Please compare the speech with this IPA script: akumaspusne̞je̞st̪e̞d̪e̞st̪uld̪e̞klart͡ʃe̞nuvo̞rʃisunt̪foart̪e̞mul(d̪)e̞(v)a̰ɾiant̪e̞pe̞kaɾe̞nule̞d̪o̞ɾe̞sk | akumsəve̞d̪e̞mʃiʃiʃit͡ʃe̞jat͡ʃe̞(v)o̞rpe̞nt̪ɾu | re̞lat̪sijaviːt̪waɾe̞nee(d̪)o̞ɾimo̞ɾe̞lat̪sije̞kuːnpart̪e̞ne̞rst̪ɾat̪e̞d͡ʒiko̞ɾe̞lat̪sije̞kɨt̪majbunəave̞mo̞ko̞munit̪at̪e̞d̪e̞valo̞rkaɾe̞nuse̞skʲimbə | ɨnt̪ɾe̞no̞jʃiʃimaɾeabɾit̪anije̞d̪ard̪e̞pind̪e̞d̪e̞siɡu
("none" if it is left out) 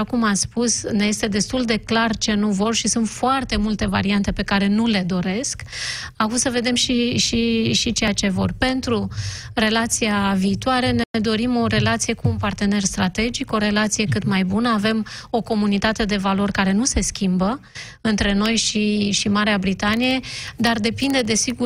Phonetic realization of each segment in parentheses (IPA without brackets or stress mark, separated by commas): t̪, v, v, d̪